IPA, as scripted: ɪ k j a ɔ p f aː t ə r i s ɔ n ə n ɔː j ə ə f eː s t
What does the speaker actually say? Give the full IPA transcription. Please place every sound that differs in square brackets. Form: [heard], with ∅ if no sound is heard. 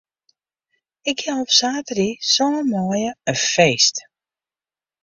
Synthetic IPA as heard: ɪ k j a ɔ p [s] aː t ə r i s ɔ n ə [m] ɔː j ə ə f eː s t